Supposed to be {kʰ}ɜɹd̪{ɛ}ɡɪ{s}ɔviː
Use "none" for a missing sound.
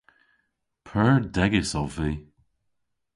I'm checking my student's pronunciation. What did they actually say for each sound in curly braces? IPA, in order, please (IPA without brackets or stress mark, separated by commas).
pʰ, ɛ, s